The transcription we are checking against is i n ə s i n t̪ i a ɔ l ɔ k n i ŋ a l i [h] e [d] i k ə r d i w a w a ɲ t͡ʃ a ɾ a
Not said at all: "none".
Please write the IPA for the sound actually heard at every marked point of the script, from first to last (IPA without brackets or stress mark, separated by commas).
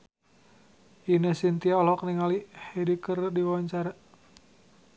h, d